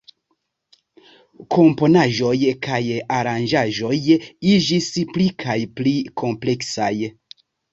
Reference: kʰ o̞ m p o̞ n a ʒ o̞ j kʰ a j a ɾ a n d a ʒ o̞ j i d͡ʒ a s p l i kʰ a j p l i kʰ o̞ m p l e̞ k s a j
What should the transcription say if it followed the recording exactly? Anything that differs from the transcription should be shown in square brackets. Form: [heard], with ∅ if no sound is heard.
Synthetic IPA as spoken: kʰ o̞ m p o̞ n a ʒ o̞ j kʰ a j a ɾ a n [d͡ʒ] a ʒ o̞ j i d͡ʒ [i] s p l i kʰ a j p l i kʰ o̞ m p l e̞ k s a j